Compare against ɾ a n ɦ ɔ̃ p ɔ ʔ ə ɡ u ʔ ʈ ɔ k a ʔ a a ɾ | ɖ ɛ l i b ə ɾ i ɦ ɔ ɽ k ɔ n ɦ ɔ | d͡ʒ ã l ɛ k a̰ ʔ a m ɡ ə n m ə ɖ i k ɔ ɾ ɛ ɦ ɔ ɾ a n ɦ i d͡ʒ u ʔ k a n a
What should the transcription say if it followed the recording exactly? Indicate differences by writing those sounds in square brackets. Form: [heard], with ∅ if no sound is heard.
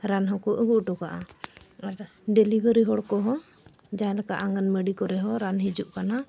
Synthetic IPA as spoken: ɾ a n ɦ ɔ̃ [k] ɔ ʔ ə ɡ u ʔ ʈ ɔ k a ʔ a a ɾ | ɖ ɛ l i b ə ɾ i ɦ ɔ ɽ k ɔ [∅] ɦ ɔ | d͡ʒ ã l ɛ k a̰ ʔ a [ŋ] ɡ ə n m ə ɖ i k ɔ ɾ ɛ ɦ ɔ ɾ a n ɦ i d͡ʒ u ʔ k a n a